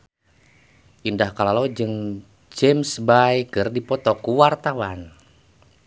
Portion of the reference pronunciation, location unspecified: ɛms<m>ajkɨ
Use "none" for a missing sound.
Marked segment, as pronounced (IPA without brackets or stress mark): b